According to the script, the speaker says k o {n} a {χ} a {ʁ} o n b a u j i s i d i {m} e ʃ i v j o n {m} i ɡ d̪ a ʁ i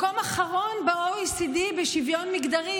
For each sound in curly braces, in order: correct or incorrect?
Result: incorrect: m, correct, correct, incorrect: b, correct

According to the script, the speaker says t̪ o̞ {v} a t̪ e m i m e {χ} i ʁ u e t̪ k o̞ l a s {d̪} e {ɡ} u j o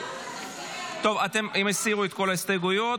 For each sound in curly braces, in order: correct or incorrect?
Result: correct, incorrect: s, incorrect: t̪, correct

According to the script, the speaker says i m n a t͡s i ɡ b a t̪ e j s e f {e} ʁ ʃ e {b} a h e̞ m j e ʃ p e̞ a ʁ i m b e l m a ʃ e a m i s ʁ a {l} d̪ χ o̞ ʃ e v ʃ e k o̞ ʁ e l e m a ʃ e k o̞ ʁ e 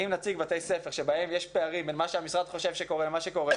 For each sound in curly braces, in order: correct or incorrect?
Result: correct, correct, incorrect: none

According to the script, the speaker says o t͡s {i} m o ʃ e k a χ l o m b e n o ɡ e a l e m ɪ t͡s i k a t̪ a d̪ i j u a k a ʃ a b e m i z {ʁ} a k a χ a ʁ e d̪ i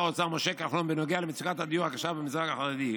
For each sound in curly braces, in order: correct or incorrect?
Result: incorrect: a, correct

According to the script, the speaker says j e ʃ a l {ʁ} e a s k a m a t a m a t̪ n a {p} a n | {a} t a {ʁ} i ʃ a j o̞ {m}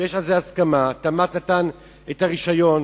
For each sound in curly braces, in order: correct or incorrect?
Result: incorrect: z, incorrect: t, incorrect: e, correct, incorrect: n

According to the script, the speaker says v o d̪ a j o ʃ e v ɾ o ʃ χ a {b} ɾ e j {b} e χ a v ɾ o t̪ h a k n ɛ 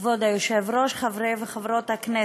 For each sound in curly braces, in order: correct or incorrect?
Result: incorrect: v, incorrect: v

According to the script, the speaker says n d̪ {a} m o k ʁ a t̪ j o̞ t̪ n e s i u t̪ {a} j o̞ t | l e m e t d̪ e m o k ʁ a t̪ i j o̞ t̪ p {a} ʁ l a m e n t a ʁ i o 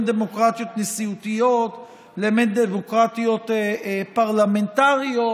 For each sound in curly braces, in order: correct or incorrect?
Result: incorrect: e, incorrect: i, correct

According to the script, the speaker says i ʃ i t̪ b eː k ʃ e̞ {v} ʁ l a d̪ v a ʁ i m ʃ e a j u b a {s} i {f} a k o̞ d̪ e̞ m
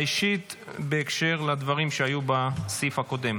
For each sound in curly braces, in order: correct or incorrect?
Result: incorrect: none, correct, correct

